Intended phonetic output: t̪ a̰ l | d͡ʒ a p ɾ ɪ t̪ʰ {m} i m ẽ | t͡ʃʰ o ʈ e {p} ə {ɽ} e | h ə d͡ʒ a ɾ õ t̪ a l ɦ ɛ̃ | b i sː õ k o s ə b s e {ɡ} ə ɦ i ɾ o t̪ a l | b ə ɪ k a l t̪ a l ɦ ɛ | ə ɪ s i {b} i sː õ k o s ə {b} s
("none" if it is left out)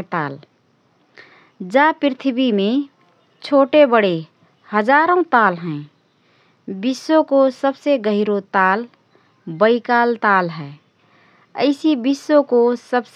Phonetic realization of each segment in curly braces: b, b, ɽ, ɡ, b, b

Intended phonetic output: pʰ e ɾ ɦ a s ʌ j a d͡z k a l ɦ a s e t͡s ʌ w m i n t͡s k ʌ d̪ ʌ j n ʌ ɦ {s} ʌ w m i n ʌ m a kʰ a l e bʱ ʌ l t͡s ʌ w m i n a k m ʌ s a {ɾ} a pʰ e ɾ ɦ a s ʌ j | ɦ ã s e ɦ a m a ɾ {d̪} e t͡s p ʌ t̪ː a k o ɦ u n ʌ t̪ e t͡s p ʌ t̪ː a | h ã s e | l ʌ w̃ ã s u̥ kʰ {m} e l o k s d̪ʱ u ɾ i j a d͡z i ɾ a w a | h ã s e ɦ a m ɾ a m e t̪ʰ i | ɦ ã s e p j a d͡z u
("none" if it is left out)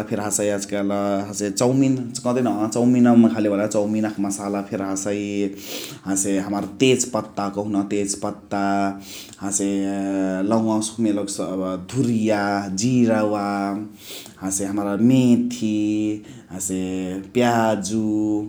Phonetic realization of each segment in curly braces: t͡s, l, t̪, m

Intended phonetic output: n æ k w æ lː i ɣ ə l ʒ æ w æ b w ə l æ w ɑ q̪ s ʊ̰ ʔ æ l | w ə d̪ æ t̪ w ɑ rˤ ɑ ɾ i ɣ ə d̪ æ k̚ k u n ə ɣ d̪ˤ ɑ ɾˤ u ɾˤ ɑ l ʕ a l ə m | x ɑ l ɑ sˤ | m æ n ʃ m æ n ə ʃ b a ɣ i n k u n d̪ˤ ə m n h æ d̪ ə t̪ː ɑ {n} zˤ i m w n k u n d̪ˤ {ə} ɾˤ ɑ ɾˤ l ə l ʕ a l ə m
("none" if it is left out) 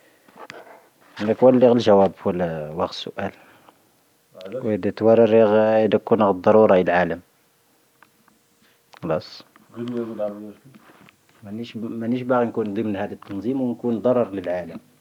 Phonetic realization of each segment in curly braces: n, ɑ

